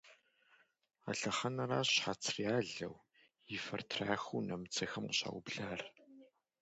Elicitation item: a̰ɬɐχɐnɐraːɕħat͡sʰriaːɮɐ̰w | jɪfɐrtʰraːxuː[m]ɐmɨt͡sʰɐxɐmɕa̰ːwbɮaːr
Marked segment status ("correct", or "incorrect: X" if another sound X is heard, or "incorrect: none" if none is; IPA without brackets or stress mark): incorrect: n